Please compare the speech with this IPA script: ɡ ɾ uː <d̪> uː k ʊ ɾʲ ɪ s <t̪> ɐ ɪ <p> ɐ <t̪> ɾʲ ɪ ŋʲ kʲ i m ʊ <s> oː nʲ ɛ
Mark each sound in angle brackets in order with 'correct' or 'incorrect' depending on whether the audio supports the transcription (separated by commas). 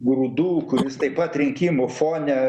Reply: correct, correct, correct, correct, incorrect